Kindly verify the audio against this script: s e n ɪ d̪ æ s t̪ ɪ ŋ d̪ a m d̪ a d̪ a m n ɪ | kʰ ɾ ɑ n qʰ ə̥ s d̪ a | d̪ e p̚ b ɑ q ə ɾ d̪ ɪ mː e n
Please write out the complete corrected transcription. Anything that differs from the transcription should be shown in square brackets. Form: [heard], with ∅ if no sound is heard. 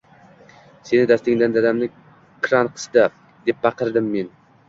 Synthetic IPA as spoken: s e n ɪ d̪ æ s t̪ ɪ ŋ d̪ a [n] d̪ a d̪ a m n ɪ | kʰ ɾ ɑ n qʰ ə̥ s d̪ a | d̪ e p̚ b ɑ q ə ɾ d̪ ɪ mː e n